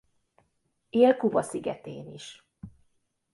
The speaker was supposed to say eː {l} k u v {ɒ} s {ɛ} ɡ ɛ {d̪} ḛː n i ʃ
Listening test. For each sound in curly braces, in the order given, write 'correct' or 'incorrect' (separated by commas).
correct, correct, incorrect, incorrect